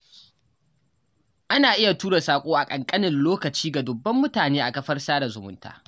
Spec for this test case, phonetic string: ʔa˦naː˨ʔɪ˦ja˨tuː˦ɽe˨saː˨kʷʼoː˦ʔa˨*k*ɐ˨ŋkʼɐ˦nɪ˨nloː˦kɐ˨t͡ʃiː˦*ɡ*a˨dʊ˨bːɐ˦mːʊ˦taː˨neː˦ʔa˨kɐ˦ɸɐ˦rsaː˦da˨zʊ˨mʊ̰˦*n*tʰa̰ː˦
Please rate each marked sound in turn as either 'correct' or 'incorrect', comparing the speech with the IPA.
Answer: incorrect: kʼ, correct, correct

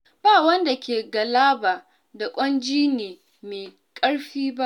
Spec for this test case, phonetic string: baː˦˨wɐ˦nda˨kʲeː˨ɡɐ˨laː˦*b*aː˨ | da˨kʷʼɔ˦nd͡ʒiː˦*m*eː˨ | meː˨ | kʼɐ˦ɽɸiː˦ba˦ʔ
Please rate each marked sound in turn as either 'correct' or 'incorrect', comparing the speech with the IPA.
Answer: correct, incorrect: n

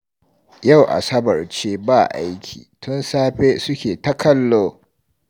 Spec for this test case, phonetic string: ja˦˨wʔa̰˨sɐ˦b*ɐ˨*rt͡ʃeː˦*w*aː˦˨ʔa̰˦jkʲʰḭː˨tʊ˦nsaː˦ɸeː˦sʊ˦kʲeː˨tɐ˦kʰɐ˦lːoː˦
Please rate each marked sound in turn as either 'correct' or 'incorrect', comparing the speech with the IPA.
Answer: correct, incorrect: b

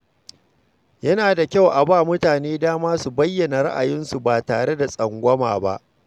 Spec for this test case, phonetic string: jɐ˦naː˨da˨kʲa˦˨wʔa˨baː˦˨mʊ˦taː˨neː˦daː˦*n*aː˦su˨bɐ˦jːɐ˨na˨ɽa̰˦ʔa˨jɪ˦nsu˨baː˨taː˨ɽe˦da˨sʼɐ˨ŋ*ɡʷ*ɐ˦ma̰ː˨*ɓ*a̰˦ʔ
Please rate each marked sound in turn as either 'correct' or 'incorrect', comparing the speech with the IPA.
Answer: incorrect: m, correct, incorrect: b

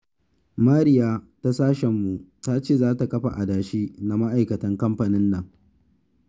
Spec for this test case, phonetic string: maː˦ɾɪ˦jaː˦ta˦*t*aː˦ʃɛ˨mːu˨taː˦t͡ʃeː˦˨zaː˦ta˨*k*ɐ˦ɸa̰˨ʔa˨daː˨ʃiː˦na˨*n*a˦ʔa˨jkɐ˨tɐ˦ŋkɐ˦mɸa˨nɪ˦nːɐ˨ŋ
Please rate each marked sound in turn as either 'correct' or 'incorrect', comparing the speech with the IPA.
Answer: incorrect: s, correct, incorrect: m

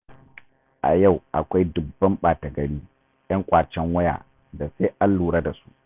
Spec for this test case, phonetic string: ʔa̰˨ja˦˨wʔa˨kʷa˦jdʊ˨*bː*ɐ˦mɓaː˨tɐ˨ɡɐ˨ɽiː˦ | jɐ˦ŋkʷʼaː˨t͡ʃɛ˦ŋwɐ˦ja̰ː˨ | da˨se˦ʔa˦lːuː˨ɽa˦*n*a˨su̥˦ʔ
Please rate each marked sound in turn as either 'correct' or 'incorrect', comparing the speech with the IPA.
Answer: correct, incorrect: d

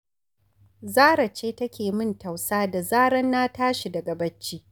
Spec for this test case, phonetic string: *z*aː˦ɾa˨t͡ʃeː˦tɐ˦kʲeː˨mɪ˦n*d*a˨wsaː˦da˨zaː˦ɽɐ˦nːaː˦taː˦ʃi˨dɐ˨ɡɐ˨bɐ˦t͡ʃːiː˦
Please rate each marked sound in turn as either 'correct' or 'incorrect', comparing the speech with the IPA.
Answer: correct, incorrect: t

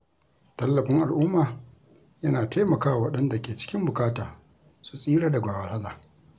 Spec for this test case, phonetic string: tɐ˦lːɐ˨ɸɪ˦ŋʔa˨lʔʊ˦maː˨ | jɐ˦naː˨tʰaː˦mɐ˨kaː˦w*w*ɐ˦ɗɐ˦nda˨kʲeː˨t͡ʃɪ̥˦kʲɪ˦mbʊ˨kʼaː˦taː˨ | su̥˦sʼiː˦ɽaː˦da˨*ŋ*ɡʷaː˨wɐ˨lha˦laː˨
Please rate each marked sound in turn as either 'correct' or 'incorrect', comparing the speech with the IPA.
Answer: correct, incorrect: none

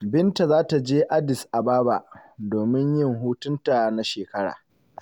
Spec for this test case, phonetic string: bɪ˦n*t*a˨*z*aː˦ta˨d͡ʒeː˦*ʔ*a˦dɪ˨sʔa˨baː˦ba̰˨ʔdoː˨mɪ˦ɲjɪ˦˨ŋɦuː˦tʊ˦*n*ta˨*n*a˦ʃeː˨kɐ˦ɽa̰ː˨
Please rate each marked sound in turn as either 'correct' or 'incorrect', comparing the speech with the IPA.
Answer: correct, correct, correct, correct, correct

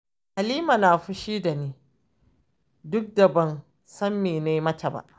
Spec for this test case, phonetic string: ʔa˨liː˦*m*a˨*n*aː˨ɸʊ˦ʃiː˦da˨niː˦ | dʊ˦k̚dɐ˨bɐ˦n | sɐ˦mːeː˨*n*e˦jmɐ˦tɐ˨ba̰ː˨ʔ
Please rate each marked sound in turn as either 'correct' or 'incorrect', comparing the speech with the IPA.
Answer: correct, correct, correct

